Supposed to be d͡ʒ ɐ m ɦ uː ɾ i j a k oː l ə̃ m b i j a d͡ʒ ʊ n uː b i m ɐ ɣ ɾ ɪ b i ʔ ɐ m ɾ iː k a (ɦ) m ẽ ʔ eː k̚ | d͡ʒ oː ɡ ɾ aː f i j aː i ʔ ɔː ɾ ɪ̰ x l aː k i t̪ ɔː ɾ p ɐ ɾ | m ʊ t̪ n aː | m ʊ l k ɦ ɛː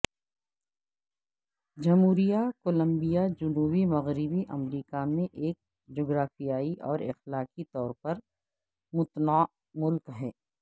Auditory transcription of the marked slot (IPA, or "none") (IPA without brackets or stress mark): none